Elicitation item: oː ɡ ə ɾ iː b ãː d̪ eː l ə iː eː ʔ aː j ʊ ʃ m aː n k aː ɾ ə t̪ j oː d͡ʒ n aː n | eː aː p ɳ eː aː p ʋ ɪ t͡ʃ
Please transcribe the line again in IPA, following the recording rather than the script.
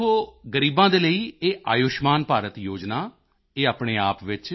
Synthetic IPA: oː ɡ ə ɾ iː b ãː d̪ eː l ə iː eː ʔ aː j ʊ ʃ m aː n p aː ɾ ə t̪ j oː d͡ʒ n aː | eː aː p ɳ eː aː p ʋ ɪ t͡ʃ